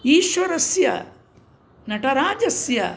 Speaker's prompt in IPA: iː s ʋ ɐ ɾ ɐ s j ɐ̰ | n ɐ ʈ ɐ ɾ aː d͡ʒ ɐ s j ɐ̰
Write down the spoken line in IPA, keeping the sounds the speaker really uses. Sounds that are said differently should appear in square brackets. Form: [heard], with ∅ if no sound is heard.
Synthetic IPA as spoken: iː [ʃ] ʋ ɐ ɾ ɐ s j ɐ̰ | n ɐ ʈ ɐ ɾ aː d͡ʒ ɐ s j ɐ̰

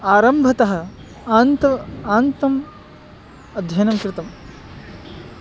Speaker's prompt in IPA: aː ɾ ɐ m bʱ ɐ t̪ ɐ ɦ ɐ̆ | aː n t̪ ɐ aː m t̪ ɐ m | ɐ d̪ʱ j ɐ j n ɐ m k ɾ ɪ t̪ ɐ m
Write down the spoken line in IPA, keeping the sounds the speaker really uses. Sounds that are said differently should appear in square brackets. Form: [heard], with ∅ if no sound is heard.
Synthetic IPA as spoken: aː ɾ ɐ m bʱ ɐ t̪ ɐ ɦ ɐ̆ | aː n t̪ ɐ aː [n] t̪ ɐ m | ɐ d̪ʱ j ɐ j n ɐ m k ɾ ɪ t̪ ɐ m

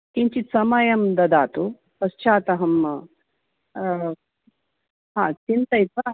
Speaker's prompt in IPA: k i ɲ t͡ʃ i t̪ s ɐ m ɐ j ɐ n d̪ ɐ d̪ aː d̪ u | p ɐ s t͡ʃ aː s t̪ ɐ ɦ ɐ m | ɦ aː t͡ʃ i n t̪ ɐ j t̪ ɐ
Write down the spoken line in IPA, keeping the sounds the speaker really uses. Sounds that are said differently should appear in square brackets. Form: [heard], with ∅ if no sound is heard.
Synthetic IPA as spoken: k i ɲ t͡ʃ i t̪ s ɐ m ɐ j ɐ [m] d̪ ɐ d̪ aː [t̪] u | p ɐ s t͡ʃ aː [∅] t̪ ɐ ɦ ɐ m | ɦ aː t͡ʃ i n t̪ ɐ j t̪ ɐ

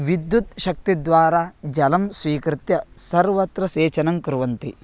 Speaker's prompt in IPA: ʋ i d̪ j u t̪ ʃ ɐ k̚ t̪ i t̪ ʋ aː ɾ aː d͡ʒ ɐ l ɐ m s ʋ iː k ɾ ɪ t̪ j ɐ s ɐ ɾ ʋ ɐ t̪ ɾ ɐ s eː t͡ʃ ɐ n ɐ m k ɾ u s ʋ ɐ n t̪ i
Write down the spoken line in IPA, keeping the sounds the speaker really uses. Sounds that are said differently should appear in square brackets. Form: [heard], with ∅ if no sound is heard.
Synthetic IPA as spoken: ʋ i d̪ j u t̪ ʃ ɐ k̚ t̪ i [d̪] ʋ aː ɾ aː d͡ʒ ɐ l ɐ m s ʋ iː k ɾ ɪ t̪ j ɐ s ɐ ɾ ʋ ɐ t̪ ɾ ɐ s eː t͡ʃ ɐ n ɐ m k ɾ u [∅] ʋ ɐ n t̪ i

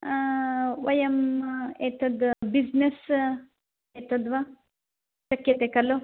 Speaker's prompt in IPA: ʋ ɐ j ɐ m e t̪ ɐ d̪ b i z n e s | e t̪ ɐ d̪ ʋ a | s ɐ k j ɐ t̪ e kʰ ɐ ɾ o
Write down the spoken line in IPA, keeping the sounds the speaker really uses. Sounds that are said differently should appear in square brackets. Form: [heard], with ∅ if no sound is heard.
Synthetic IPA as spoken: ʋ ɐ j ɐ m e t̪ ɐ d̪ b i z n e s | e t̪ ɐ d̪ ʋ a | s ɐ k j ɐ t̪ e [k] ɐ [l] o

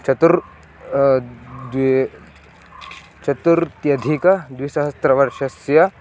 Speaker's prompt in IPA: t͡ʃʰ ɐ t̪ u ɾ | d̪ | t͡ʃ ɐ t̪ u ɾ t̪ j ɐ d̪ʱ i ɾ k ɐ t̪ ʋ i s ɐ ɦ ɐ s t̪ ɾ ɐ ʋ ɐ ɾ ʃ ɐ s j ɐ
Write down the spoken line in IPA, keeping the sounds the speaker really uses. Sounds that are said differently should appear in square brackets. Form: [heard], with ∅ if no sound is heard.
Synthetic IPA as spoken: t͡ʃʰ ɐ t̪ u ɾ | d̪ | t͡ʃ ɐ t̪ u ɾ t̪ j ɐ d̪ʱ i [∅] k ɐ [d̪] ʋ i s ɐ ɦ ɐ s t̪ ɾ ɐ ʋ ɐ ɾ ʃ ɐ s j ɐ

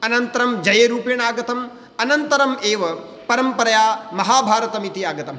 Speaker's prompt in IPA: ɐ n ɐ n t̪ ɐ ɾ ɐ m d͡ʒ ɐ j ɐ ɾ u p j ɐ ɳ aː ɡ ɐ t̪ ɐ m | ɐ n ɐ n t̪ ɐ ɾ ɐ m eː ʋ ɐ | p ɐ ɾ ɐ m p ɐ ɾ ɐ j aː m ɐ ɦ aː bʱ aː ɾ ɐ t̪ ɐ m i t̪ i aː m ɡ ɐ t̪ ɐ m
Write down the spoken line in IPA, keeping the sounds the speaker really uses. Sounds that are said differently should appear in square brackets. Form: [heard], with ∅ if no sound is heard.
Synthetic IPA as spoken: ɐ n ɐ n t̪ ɐ ɾ ɐ m d͡ʒ ɐ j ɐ ɾ [uː] p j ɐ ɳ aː ɡ ɐ t̪ ɐ m | ɐ n ɐ n t̪ ɐ ɾ ɐ m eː ʋ ɐ | p ɐ ɾ ɐ m p ɐ ɾ ɐ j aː m ɐ ɦ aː bʱ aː ɾ ɐ t̪ ɐ m i t̪ i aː [∅] ɡ ɐ t̪ ɐ m

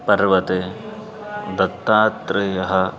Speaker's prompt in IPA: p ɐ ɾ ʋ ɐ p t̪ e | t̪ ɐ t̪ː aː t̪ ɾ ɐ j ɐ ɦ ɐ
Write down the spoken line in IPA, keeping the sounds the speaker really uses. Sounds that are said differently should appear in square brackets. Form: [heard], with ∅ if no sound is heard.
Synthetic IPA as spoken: p ɐ ɾ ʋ ɐ [∅] t̪ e | [d̪] ɐ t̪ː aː t̪ ɾ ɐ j ɐ ɦ ɐ

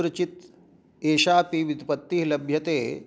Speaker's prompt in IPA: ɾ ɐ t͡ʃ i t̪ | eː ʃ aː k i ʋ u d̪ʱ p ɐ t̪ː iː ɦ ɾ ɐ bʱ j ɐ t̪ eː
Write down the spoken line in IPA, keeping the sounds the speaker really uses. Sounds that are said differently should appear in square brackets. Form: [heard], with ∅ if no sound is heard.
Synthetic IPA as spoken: ɾ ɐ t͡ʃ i t̪ | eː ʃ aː [p] i ʋ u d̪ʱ p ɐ t̪ː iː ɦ [l] ɐ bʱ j ɐ t̪ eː

